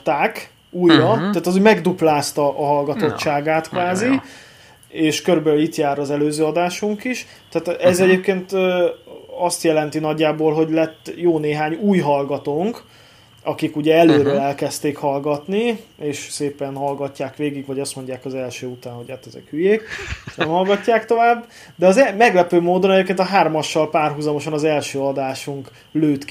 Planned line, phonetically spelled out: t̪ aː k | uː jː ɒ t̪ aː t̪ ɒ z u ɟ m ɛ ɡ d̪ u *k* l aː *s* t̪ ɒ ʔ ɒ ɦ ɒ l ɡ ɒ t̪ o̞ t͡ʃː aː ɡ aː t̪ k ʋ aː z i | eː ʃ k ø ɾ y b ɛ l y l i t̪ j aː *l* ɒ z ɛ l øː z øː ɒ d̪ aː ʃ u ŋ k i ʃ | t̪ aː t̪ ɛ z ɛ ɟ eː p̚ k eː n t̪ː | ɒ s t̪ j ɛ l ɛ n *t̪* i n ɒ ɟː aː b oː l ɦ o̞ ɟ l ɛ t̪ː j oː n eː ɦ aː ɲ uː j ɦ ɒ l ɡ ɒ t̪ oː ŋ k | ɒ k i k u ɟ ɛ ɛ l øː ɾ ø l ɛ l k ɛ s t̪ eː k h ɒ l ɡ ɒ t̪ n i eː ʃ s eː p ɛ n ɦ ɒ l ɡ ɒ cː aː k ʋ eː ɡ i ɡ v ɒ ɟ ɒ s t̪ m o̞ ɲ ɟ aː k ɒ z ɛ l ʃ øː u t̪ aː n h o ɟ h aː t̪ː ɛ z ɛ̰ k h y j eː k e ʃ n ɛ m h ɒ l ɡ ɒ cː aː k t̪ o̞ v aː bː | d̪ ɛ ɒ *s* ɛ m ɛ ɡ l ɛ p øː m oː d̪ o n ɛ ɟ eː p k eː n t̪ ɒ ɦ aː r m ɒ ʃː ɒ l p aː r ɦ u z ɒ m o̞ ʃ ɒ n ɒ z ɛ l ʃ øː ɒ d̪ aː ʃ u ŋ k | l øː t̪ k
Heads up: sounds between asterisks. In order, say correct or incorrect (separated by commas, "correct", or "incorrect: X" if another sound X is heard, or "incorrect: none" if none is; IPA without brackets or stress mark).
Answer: incorrect: p, correct, incorrect: ɾ, correct, incorrect: z